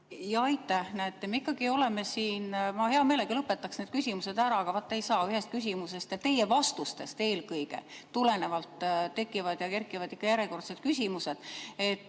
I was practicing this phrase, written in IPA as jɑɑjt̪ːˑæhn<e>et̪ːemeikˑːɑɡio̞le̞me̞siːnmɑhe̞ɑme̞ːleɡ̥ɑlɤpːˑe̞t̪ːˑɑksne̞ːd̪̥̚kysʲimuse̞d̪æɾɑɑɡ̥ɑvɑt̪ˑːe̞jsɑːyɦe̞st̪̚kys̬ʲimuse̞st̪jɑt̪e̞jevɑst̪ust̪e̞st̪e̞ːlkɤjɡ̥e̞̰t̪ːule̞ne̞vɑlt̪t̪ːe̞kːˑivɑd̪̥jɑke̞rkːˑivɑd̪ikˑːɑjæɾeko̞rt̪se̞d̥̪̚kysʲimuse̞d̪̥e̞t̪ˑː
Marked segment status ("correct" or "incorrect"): incorrect